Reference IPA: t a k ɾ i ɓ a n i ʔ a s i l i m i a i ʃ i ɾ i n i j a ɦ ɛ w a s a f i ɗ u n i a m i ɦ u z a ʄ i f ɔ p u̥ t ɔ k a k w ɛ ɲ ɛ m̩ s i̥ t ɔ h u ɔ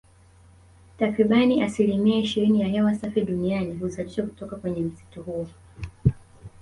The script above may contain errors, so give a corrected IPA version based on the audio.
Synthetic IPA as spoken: t a k ɾ i ɓ a n i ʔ a s i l i m i a i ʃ i ɾ i n i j a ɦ ɛ w a s a f i ɗ u n i a n i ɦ u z a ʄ i ʃ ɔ k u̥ t ɔ k a k w ɛ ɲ ɛ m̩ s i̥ t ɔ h u ɔ